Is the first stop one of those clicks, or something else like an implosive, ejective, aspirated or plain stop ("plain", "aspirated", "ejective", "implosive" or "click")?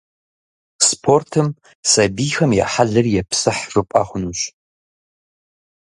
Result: aspirated